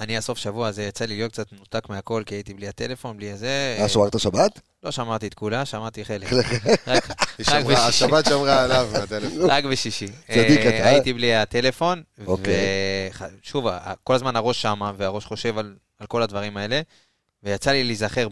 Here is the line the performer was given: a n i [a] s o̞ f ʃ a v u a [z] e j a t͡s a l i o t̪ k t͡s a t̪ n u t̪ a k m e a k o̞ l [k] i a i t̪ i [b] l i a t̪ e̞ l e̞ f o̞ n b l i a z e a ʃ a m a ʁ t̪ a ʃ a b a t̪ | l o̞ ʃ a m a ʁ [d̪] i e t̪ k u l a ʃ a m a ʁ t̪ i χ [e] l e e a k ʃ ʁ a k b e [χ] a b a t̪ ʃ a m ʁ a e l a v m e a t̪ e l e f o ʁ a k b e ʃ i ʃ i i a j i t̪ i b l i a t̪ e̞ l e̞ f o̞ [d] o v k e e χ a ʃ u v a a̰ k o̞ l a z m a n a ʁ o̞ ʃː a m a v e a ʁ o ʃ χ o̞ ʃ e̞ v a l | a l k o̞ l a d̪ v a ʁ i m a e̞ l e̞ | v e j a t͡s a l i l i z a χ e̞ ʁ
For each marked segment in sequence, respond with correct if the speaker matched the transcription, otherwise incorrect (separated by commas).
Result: correct, correct, correct, correct, incorrect, correct, incorrect, incorrect